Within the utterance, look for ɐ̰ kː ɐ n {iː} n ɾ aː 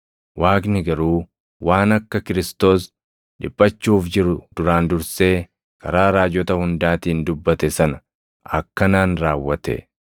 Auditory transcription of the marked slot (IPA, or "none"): aː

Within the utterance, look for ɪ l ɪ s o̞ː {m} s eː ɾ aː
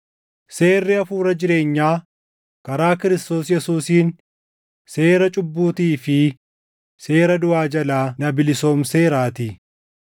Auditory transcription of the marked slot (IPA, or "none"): m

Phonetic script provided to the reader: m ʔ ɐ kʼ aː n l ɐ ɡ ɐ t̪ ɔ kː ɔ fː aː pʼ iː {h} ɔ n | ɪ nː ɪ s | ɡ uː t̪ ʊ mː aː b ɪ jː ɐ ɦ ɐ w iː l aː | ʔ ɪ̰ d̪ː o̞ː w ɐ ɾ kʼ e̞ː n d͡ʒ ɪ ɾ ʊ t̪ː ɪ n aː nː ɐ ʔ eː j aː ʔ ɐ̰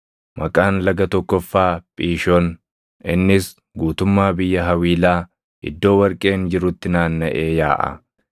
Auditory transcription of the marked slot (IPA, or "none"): ʃ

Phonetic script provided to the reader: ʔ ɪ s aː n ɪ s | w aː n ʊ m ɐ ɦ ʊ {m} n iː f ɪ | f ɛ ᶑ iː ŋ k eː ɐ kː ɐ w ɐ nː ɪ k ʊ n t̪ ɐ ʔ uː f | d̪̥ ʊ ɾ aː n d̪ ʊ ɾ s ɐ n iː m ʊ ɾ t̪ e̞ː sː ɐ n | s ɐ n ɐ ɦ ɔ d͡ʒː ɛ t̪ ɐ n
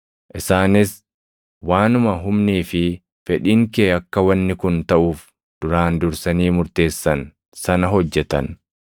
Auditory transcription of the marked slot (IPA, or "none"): m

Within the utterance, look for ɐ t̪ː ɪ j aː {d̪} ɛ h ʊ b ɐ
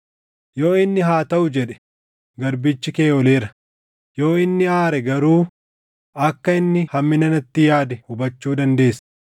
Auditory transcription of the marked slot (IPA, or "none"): d̪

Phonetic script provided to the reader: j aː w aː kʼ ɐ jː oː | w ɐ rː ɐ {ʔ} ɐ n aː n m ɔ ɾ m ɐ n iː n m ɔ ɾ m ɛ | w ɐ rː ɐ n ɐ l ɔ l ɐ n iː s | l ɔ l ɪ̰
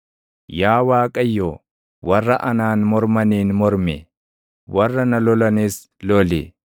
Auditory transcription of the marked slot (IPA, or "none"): ʔ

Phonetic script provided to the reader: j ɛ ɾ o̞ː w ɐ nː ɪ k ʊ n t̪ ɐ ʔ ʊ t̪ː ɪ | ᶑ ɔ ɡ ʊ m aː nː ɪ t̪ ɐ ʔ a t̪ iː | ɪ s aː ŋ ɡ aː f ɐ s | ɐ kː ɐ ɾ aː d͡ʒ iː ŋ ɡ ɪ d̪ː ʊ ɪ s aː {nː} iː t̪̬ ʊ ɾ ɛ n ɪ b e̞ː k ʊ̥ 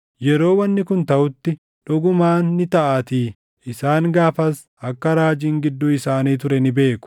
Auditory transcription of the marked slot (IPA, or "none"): n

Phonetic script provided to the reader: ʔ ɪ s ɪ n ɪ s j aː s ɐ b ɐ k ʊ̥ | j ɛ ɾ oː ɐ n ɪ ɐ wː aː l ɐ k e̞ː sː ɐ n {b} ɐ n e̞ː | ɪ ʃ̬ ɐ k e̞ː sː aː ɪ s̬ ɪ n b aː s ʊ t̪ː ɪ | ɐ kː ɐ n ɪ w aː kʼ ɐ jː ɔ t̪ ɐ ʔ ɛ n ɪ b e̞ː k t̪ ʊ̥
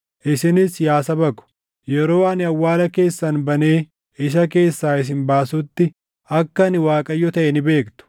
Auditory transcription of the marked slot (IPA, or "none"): b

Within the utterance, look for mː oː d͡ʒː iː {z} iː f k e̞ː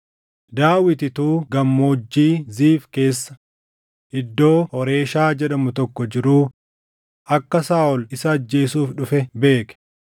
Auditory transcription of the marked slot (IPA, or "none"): z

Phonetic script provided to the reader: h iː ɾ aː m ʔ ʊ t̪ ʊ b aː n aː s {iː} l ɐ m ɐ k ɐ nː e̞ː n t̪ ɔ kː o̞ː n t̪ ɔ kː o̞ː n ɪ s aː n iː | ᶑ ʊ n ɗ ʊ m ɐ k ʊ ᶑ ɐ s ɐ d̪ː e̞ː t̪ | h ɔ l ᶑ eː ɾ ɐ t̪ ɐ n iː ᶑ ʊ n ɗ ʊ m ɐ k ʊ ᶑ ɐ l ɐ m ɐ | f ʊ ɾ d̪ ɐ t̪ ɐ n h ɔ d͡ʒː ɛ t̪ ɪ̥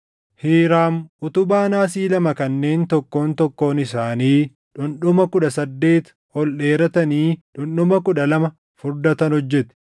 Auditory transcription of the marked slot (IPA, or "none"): iː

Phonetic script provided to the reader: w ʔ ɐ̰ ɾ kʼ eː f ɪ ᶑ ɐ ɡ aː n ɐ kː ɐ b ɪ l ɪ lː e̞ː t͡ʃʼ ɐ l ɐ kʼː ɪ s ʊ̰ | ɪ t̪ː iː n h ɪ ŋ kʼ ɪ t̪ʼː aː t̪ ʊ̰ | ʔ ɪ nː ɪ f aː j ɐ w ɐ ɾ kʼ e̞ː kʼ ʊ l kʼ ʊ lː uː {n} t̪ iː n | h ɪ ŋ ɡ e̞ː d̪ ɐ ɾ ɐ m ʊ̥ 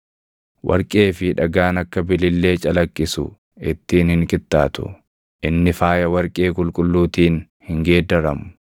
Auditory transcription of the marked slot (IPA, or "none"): none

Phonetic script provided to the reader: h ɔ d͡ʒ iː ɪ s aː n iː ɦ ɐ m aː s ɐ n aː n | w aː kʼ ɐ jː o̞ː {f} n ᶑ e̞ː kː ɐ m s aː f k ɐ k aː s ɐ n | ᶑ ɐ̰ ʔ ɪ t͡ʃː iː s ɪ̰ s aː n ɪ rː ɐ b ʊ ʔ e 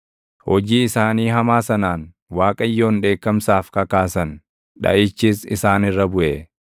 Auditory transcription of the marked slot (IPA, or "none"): none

